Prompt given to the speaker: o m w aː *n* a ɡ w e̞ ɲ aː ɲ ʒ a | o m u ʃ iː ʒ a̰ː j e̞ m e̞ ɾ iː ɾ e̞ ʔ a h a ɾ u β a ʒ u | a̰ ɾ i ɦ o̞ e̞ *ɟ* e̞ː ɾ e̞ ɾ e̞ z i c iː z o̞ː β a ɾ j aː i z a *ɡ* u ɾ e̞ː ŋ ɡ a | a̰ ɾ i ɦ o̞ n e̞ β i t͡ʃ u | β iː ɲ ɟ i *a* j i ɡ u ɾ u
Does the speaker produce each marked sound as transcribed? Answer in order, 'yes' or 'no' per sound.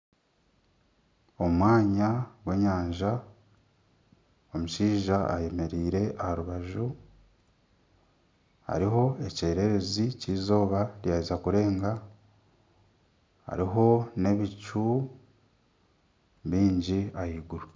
no, no, no, yes

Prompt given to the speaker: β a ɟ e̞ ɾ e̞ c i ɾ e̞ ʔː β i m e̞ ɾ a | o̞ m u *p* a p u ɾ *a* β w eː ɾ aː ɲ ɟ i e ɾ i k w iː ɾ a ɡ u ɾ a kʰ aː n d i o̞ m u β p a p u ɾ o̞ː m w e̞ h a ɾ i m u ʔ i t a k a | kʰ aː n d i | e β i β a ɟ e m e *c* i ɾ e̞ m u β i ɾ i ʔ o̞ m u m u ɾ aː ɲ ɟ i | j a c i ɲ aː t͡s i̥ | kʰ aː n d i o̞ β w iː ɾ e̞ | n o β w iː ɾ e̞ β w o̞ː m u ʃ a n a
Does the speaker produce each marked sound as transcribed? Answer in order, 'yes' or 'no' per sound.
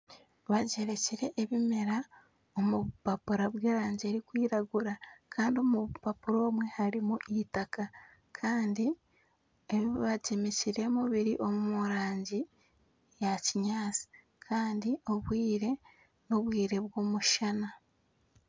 yes, yes, yes

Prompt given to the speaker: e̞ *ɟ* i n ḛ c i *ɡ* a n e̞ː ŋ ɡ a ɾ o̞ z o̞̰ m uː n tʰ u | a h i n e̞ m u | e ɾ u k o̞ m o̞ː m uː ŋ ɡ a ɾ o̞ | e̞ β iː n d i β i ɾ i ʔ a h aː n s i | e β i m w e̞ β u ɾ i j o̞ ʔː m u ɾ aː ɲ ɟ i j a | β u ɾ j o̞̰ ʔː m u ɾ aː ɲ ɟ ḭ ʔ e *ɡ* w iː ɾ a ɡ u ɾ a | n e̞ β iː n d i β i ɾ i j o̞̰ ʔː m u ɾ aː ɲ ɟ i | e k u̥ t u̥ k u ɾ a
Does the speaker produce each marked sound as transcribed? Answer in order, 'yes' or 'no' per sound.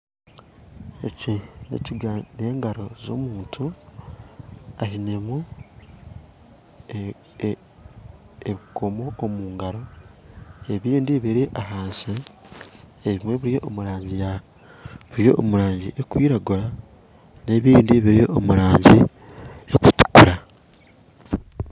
no, yes, no

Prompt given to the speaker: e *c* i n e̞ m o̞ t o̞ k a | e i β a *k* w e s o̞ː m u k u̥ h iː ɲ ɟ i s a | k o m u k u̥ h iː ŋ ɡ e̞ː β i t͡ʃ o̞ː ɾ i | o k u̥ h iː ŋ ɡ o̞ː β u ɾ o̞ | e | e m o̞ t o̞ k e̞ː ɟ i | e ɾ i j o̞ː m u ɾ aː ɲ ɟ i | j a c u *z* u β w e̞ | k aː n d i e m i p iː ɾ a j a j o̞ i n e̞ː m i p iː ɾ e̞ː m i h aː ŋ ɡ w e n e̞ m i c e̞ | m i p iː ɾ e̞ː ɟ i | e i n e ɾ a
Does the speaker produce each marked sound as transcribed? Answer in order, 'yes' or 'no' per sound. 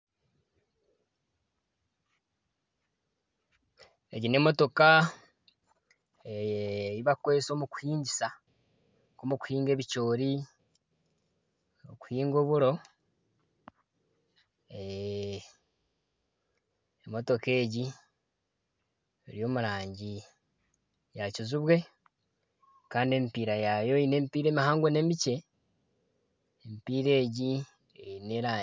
no, yes, yes

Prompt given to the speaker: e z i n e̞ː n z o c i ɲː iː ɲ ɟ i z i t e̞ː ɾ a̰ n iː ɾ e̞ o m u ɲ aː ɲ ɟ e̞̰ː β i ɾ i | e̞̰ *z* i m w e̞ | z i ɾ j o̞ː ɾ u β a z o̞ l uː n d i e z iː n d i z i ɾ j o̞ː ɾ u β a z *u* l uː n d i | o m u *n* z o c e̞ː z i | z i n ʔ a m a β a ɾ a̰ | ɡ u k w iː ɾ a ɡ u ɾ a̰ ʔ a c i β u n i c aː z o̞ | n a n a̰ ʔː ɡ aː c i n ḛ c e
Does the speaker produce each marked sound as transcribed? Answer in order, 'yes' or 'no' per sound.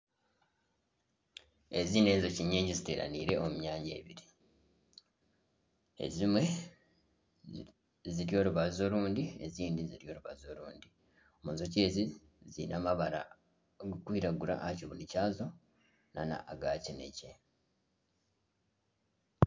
yes, no, yes

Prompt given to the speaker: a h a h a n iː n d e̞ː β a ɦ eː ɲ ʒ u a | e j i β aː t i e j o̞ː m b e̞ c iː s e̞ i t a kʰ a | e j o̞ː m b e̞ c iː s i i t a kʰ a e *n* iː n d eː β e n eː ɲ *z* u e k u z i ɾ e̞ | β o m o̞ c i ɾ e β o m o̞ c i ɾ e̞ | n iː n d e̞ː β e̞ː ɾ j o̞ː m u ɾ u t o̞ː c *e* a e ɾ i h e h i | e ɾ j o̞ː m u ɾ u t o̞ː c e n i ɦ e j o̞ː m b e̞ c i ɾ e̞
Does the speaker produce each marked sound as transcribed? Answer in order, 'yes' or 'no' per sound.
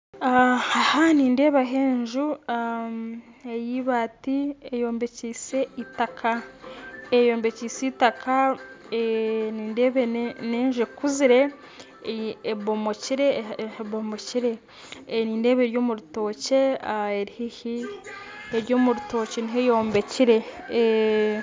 yes, no, yes

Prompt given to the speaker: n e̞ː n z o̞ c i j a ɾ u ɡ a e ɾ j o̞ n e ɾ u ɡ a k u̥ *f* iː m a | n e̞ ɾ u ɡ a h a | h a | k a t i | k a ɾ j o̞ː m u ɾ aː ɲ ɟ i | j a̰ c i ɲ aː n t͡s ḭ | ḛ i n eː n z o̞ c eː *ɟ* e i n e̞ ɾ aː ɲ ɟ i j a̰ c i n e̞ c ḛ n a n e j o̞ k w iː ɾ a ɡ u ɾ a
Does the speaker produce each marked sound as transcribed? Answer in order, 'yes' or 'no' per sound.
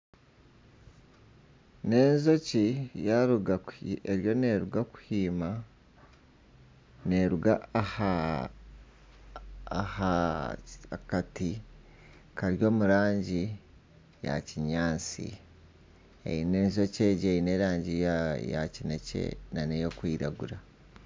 no, yes

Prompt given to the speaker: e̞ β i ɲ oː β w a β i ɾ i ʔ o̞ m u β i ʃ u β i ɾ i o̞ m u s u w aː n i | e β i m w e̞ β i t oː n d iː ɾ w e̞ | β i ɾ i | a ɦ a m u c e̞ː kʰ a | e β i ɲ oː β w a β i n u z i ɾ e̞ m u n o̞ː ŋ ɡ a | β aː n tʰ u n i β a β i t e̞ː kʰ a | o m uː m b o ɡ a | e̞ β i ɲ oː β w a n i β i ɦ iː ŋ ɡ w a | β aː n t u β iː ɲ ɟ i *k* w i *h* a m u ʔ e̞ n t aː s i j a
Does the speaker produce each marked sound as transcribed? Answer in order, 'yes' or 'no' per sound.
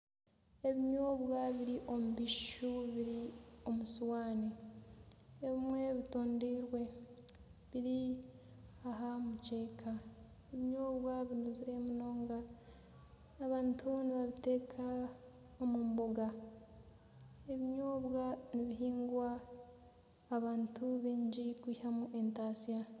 yes, yes

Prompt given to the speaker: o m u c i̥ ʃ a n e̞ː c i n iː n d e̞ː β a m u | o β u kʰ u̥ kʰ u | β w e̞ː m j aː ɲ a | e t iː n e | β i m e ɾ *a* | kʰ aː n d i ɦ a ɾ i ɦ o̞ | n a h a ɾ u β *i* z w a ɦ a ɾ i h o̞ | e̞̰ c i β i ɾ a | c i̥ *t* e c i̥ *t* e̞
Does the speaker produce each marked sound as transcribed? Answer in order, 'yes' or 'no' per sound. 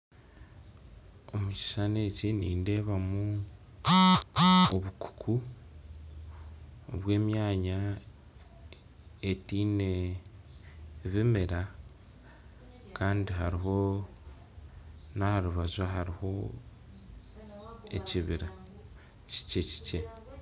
yes, no, no, no

